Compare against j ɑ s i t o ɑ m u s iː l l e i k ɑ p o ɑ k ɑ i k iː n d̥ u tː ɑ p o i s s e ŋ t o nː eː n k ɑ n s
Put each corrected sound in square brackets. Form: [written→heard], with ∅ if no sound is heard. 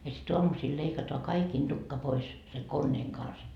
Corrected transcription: j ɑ s i t o ɑ m u s iː l l e i k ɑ [p→t] o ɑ k ɑ i k iː n d̥ u [tː→kː] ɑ p o i s s e ŋ [t→k] o nː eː [n→ŋ] k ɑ n s